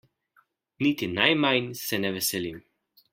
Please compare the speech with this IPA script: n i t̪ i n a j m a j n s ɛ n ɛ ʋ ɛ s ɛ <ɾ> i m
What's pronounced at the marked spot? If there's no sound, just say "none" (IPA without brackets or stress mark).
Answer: l